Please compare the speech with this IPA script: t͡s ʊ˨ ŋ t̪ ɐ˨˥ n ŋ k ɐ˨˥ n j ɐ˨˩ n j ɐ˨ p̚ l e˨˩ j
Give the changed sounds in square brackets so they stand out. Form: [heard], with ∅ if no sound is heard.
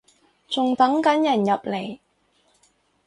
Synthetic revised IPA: t͡s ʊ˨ ŋ t̪ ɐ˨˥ [∅] ŋ k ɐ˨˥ n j ɐ˨˩ n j ɐ˨ p̚ l e˨˩ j